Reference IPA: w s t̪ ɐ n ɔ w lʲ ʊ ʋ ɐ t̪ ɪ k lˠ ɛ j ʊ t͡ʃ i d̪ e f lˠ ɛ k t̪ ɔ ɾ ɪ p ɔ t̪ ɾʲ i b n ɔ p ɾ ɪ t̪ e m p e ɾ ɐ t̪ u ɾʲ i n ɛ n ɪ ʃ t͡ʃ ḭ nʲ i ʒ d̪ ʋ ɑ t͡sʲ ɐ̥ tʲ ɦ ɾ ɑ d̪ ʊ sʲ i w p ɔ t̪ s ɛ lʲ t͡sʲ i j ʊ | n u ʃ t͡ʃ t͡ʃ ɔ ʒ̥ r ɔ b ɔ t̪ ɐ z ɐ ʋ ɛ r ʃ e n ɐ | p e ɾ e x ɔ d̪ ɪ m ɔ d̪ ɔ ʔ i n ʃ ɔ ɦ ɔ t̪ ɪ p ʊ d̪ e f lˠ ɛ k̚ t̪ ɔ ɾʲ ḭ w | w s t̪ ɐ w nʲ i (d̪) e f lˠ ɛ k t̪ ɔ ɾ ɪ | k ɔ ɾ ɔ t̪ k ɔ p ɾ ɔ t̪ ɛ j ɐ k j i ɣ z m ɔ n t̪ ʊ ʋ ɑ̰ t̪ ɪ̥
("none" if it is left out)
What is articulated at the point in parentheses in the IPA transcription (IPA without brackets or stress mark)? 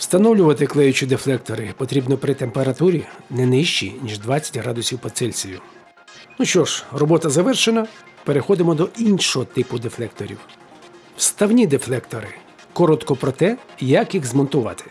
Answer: d̪